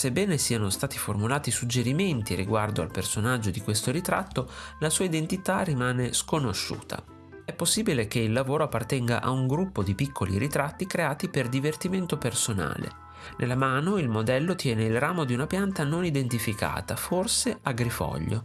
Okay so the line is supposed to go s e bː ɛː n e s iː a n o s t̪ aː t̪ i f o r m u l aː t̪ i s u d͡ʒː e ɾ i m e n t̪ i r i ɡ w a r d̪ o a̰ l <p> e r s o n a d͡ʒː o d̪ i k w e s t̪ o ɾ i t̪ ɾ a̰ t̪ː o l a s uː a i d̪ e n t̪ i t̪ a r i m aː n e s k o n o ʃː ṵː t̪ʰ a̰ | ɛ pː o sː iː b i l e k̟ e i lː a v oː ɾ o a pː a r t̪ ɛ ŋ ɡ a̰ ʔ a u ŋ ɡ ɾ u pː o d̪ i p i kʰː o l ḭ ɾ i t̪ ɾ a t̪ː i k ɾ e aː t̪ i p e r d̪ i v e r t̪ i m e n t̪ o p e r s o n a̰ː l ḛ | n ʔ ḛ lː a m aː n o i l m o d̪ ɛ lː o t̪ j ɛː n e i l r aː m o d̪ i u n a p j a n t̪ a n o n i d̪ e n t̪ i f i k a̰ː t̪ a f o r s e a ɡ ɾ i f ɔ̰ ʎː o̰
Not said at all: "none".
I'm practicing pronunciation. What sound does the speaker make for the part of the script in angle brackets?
p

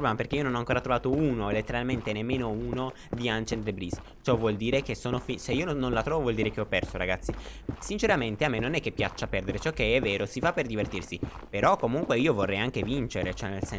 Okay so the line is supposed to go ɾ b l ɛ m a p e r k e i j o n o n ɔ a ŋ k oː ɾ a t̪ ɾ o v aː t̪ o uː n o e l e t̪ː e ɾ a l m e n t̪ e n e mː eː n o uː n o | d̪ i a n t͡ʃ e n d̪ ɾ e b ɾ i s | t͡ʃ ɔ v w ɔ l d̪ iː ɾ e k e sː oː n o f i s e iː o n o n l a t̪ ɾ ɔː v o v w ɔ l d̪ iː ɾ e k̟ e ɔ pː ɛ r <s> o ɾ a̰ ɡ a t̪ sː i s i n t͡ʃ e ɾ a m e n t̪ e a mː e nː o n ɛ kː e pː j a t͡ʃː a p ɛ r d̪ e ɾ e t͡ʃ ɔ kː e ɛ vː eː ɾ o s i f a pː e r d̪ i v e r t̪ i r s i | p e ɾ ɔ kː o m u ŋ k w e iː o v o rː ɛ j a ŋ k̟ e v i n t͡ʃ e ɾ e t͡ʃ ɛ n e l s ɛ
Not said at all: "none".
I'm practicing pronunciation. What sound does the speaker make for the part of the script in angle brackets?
s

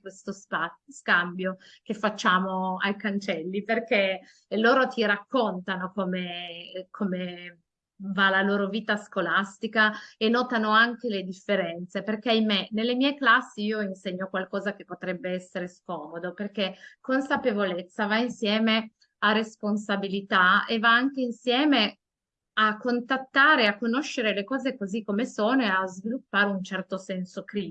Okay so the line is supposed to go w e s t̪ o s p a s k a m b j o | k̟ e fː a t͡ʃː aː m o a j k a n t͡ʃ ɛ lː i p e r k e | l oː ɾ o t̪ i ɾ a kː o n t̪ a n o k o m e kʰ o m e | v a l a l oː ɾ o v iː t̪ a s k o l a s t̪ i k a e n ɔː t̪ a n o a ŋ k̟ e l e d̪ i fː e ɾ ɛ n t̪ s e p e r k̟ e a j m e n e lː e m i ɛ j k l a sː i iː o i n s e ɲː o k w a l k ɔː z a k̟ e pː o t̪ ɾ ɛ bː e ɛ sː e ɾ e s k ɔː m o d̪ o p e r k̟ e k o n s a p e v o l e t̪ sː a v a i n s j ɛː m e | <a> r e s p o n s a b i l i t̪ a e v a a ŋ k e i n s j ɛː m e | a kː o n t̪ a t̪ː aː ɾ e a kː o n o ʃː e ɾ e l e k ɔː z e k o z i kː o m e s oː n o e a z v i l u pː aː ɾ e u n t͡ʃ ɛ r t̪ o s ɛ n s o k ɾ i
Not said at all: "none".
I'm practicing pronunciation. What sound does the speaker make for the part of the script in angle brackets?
a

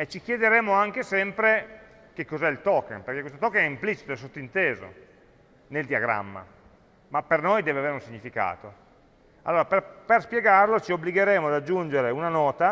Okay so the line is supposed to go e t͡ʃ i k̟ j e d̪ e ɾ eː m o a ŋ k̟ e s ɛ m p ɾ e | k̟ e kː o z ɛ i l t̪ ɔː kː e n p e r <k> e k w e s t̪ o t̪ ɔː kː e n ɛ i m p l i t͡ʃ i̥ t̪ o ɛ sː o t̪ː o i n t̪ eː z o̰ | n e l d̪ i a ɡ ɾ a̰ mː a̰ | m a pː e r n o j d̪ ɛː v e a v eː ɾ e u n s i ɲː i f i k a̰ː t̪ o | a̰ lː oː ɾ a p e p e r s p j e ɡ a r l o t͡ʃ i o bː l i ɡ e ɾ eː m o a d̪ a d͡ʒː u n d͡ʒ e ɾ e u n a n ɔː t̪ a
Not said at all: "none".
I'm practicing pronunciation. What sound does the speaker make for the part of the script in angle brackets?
k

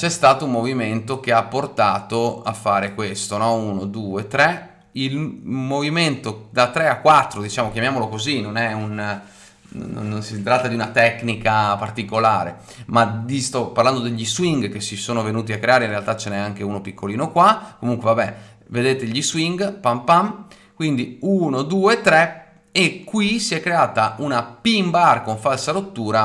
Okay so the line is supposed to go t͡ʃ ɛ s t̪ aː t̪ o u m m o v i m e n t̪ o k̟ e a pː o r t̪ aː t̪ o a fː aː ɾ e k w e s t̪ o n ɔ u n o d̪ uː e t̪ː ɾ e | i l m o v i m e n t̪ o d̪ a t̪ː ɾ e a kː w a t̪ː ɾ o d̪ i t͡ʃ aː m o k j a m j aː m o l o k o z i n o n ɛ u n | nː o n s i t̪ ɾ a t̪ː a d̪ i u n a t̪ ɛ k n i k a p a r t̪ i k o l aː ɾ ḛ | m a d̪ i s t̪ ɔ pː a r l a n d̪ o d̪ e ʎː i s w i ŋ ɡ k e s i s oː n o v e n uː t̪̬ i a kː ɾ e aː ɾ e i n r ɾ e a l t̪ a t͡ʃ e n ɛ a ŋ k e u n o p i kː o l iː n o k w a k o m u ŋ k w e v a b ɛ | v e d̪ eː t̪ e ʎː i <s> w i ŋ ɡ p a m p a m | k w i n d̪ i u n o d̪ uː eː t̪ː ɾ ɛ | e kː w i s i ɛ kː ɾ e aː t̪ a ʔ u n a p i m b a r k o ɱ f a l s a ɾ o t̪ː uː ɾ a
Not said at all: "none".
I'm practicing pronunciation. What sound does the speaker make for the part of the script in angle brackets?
s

